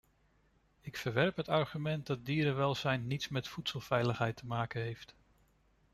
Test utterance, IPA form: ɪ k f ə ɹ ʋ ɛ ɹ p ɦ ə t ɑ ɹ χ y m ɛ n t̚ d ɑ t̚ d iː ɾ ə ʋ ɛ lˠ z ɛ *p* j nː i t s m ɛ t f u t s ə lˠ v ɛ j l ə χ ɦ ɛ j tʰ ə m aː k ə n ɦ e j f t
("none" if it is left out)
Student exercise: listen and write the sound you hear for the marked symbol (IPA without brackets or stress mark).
none